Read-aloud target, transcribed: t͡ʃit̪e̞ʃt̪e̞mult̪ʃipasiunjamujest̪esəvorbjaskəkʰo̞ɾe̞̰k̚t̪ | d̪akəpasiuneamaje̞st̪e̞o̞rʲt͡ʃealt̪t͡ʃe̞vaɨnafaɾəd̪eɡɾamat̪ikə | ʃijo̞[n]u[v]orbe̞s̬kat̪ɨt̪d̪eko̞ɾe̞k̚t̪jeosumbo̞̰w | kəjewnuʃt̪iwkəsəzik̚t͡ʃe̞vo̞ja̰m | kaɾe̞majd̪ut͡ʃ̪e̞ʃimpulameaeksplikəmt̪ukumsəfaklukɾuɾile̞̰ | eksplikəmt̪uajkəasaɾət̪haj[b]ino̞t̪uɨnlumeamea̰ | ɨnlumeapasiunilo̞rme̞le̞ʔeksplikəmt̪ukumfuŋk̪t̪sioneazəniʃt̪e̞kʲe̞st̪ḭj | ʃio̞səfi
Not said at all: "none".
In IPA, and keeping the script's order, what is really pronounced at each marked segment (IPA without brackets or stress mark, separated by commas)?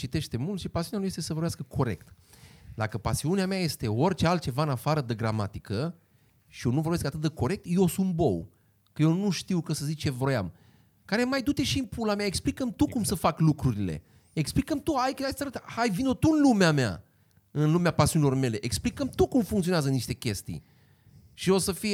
n, v, v